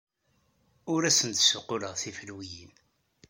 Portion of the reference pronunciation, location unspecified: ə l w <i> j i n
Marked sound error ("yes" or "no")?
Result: no